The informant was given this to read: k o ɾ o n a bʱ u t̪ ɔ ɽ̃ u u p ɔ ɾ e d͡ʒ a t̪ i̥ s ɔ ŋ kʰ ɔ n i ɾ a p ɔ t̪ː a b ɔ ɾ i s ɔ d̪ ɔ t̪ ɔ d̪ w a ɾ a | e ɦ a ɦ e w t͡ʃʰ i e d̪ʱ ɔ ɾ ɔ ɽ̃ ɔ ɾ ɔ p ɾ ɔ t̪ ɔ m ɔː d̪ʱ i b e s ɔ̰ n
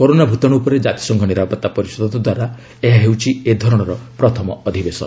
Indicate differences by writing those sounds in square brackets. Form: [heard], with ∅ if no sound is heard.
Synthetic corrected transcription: k o ɾ o n a bʱ u t̪ ɔ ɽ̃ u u p ɔ ɾ e d͡ʒ a t̪ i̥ s ɔ ŋ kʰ ɔ n i ɾ a p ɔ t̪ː a [p] ɔ ɾ i s ɔ d̪ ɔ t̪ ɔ d̪ w a ɾ a | e ɦ a ɦ e w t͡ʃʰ i e d̪ʱ ɔ ɾ ɔ ɽ̃ ɔ ɾ ɔ p ɾ ɔ [t̪ʰ] ɔ m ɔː d̪ʱ i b e s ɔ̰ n